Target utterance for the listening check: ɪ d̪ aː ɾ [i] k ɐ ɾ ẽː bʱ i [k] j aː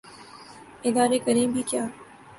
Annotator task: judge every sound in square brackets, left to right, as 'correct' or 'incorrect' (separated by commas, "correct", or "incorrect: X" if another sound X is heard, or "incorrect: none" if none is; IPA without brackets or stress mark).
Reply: incorrect: e, correct